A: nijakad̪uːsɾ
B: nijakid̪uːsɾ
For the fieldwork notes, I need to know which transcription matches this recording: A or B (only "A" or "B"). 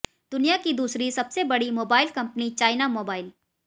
B